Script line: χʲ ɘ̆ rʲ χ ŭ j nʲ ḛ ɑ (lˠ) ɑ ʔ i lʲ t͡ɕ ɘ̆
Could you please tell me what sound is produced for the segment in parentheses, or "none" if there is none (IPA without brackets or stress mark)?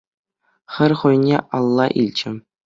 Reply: lˠː